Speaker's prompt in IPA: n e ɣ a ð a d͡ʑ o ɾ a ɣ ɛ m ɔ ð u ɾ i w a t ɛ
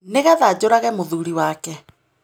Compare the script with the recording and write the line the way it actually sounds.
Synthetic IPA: n e ɣ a ð a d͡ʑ o ɾ a ɣ ɛ m o ð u ɾ i w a k ɛ